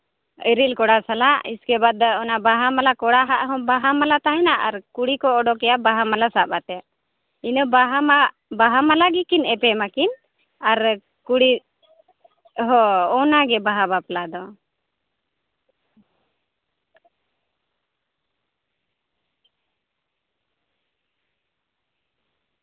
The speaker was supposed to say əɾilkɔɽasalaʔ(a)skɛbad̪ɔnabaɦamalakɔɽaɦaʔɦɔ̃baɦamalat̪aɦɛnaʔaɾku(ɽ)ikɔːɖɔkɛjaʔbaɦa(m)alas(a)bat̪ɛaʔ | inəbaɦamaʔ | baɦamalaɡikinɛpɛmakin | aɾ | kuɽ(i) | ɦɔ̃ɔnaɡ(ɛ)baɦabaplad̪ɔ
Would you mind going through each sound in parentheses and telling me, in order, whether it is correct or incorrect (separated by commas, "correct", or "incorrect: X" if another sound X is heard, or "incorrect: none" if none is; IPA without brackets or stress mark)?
incorrect: i, correct, correct, correct, correct, correct